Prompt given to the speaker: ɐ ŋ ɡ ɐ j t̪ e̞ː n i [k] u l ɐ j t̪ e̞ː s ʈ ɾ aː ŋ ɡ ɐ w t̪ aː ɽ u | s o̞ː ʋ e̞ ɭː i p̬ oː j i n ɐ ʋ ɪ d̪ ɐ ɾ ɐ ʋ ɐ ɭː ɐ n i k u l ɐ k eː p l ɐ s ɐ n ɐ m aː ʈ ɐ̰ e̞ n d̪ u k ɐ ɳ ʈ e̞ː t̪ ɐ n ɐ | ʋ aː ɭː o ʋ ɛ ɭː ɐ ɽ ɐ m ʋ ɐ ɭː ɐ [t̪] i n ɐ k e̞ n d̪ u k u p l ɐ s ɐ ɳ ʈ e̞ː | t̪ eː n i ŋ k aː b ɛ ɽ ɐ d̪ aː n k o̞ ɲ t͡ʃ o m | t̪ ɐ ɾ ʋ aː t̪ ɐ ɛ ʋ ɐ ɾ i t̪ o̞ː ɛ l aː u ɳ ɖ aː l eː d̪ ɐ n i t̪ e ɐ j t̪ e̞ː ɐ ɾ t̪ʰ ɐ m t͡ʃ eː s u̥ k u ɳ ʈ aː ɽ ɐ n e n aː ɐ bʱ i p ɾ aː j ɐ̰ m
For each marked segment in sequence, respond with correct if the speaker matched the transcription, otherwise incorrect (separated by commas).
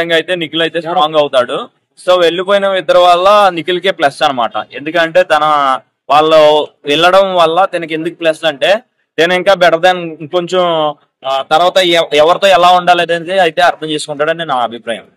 correct, correct